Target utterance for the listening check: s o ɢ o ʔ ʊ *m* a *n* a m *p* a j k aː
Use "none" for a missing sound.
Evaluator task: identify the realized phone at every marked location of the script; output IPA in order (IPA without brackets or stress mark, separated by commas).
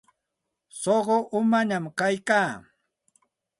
m, ɲ, k